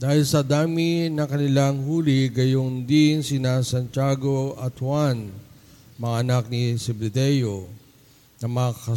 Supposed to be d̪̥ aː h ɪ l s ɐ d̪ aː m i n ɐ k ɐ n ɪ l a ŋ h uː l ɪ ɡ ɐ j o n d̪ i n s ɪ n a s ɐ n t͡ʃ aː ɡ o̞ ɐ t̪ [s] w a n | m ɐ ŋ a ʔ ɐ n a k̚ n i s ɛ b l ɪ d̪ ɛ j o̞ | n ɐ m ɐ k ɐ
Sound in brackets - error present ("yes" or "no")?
yes